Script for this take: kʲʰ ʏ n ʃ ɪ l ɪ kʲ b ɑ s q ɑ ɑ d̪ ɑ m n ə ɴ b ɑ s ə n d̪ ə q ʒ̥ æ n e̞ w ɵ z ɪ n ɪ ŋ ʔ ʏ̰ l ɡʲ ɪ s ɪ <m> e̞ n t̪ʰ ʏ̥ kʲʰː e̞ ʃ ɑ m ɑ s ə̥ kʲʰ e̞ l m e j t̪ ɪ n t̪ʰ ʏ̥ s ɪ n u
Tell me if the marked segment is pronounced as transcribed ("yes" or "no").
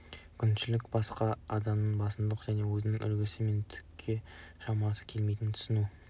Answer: yes